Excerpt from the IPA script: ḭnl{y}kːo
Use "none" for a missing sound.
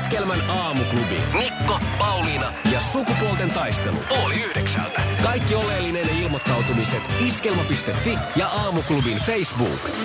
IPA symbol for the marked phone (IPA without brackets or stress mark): i